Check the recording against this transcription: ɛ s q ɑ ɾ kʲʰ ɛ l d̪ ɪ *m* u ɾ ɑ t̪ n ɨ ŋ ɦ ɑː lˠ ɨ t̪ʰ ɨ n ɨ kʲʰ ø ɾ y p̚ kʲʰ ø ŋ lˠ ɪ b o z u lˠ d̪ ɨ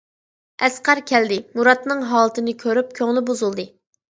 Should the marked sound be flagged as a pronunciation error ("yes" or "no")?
no